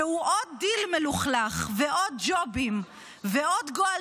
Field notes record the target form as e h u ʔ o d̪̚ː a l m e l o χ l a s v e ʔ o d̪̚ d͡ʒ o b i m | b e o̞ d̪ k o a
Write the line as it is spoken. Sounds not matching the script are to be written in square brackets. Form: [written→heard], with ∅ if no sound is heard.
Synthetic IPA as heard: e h u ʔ o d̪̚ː [a→i] l m e l [o→u] χ l a [s→χ] v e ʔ o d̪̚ d͡ʒ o b i m | [b→v] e o̞ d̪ [k→ɡ] o a

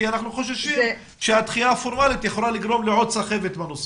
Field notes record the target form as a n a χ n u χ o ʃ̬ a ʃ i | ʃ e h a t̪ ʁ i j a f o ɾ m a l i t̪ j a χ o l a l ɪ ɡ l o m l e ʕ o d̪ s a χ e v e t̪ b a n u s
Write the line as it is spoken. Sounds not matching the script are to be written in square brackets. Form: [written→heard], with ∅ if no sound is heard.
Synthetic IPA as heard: a n a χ n u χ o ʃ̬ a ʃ i | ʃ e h a t̪ [ʁ→χ] i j a f o ɾ m a l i t̪ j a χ o l a l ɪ ɡ [l→ɾ] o m l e ʕ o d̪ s a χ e v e t̪ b a n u s

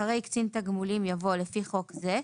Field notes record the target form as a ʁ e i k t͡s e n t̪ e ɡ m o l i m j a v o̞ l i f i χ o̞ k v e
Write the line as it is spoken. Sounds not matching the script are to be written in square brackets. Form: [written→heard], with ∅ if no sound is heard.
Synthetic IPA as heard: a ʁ e [i→j] k t͡s [e→i] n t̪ [e→a] ɡ m [o→u] l i m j a v o̞ l [i→e] f i χ o̞ k [v→z] e

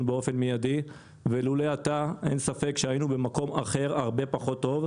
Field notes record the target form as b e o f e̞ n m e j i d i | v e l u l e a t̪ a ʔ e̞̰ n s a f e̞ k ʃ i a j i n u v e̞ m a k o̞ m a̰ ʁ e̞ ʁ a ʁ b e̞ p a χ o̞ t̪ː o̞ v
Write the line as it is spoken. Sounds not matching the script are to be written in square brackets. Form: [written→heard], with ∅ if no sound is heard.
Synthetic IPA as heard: b e o f e̞ n m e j [i→a] d i | v e l u l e a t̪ a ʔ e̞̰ n s a f e̞ k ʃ [i→e] a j i n u [v→b] e̞ m a k o̞ m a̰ [ʁ→χ] e̞ ʁ a ʁ b e̞ p a χ o̞ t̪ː o̞ v

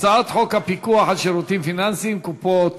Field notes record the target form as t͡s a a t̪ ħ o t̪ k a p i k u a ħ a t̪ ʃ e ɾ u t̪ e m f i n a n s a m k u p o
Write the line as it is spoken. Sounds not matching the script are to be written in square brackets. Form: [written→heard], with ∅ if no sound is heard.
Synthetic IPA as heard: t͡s a a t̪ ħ o [t̪→∅] k a p i k u a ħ a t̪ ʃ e ɾ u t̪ [e→i] m f i n a n s [a→i] m k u p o

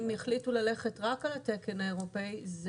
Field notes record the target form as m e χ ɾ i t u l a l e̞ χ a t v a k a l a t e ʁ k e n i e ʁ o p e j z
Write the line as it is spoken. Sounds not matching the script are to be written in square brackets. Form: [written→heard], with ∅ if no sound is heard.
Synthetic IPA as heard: m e χ [ɾ→l] i t u l a l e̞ χ [a→e] t [v→ʁ] a k a l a t e [ʁ→∅] k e n [i→a] e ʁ o p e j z

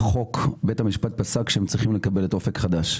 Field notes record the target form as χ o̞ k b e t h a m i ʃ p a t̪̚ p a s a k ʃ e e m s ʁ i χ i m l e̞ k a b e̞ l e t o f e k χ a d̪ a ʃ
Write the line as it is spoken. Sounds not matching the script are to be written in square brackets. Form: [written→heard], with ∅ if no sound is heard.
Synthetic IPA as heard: χ o̞ k b e t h a m i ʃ p a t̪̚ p a s a k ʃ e e m [s→t͡s] ʁ i χ i m l e̞ k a b e̞ l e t o f e k χ a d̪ a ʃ

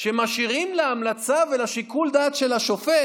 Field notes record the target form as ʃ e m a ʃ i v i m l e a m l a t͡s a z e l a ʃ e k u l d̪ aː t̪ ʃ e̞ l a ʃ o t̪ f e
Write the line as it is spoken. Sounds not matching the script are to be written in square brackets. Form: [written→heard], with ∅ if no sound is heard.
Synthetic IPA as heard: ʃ e m a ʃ i [v→ʁ] i m l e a m l a t͡s a [z→v] e l a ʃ [e→i] k u l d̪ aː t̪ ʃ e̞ l a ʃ o [t̪→∅] f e

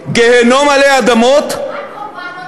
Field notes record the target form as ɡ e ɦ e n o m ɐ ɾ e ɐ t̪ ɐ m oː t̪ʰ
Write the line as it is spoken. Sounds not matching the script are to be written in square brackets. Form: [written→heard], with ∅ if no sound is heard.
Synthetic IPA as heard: ɡ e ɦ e n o m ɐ [ɾ→l] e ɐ [t̪→d̪] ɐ m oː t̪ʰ

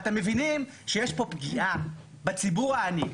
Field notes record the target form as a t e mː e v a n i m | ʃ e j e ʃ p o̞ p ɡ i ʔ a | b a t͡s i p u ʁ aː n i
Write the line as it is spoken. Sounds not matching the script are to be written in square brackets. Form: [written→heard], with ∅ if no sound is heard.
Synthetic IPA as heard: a t e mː e v [a→i] n i m | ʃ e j e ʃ p o̞ p ɡ i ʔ a | b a t͡s i [p→b] u ʁ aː n i

